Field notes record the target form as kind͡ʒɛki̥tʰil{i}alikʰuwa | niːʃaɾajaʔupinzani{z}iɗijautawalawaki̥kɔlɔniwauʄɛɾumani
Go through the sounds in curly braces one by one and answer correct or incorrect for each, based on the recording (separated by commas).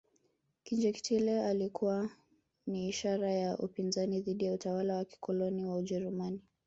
incorrect, incorrect